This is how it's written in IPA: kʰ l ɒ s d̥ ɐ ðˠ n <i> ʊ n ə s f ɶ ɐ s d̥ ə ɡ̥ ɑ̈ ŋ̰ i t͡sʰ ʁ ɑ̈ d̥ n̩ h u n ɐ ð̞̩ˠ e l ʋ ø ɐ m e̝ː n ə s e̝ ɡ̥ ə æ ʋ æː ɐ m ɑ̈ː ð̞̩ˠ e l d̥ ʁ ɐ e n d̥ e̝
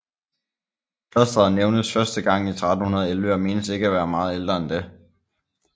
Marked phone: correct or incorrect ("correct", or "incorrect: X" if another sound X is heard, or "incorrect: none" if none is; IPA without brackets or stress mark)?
incorrect: e